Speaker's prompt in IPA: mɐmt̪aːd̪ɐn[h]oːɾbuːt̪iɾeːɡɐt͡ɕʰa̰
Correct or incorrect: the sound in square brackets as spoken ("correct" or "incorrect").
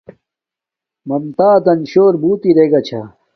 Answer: incorrect